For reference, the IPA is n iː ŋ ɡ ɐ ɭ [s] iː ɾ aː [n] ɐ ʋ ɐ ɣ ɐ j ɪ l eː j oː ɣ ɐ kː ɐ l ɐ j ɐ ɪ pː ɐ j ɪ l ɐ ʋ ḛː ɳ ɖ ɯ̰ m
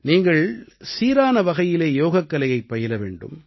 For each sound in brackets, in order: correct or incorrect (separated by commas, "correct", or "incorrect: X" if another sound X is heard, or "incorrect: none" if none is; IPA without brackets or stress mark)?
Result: correct, correct